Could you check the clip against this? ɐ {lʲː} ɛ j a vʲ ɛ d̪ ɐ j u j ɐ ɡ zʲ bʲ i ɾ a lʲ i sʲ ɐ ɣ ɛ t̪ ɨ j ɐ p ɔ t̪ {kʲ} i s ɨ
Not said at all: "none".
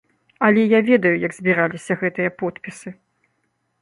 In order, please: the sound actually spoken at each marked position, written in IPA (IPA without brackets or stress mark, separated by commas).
lʲ, pʲ